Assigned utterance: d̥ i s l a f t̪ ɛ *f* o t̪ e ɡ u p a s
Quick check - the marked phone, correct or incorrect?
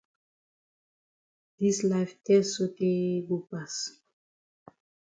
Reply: incorrect